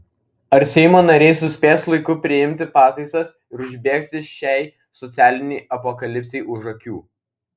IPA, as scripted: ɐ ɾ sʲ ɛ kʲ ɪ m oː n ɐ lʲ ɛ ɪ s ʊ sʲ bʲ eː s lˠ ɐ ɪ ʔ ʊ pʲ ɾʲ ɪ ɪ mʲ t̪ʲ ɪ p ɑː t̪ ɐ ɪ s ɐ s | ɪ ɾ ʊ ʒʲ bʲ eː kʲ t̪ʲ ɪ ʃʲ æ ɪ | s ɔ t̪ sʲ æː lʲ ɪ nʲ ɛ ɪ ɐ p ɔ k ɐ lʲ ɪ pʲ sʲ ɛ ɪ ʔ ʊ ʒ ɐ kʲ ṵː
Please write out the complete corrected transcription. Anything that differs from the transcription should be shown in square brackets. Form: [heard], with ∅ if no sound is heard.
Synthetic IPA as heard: ɐ ɾ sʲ ɛ [∅] ɪ m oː n ɐ [ɾʲ] ɛ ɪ s ʊ sʲ [pʲ] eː s lˠ ɐ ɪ [k] ʊ pʲ ɾʲ ɪ ɪ mʲ t̪ʲ ɪ p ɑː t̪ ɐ ɪ s ɐ s | ɪ ɾ ʊ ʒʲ bʲ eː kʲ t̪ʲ ɪ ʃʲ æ ɪ | s ɔ t̪ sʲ æː lʲ ɪ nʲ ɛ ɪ ɐ p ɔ k ɐ lʲ ɪ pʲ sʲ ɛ ɪ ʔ ʊ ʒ ɐ kʲ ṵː